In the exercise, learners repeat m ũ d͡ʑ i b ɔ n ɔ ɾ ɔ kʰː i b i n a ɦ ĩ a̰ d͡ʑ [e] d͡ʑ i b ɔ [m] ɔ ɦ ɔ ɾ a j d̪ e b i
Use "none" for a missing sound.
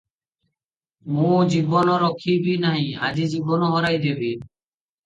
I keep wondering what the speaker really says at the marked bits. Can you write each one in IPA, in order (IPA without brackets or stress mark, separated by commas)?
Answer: i, n